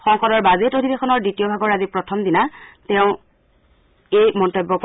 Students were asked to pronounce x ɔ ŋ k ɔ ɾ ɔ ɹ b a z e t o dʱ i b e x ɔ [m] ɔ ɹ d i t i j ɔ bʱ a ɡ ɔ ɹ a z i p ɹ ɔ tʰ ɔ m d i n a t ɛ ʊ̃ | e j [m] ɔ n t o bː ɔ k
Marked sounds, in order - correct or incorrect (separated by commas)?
incorrect, correct